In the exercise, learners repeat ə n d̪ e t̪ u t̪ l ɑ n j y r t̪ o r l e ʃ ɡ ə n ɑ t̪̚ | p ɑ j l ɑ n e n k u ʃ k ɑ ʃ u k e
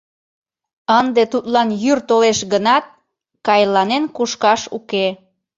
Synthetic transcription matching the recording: ə n d̪ e t̪ u t̪ l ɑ n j y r t̪ o l e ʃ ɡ ə n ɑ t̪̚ | k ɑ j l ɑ n e n k u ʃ k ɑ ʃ u k e